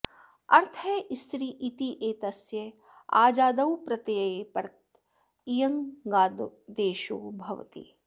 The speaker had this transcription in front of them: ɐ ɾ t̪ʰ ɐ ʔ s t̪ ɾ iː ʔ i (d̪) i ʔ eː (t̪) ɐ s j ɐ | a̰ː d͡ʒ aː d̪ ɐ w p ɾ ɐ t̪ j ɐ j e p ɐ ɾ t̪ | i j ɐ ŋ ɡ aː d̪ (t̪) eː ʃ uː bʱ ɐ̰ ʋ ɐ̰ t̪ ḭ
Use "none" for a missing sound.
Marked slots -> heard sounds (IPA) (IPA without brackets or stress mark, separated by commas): t̪, t̪, d̪